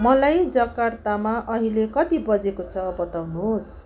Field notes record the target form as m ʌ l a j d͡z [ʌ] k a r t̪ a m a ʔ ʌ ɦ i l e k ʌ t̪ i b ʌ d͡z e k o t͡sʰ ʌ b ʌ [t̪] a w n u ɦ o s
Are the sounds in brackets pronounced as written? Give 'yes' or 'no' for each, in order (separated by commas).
yes, yes